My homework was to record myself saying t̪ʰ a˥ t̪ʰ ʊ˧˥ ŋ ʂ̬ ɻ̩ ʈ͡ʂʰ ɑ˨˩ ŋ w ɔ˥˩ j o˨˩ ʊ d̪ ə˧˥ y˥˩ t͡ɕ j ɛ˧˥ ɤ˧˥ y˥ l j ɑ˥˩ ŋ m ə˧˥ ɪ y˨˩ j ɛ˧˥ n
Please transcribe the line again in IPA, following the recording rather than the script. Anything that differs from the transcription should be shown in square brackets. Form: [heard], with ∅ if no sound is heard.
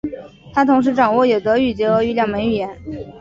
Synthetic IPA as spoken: t̪ʰ a˥ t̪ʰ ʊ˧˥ ŋ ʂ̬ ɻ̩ [ʈ͡ʂ] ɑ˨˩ ŋ w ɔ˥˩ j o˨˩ ʊ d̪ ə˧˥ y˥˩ t͡ɕ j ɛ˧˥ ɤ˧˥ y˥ l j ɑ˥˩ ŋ m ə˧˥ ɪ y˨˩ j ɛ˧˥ n